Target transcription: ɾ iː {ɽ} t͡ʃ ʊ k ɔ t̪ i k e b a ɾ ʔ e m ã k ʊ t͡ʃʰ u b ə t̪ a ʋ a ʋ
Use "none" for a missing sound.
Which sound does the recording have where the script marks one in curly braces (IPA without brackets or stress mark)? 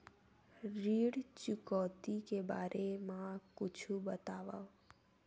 ɽ